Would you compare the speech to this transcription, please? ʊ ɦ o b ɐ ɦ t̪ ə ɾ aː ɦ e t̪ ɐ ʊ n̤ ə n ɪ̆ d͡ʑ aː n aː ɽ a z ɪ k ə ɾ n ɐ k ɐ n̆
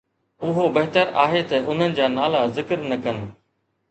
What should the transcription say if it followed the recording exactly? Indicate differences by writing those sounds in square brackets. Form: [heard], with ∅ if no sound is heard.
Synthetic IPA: ʊ ɦ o b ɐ ɦ t̪ ə ɾ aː ɦ e t̪ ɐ ʊ n̤ ə n ɪ̆ d͡ʑ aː n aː [l] a z ɪ k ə ɾ n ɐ k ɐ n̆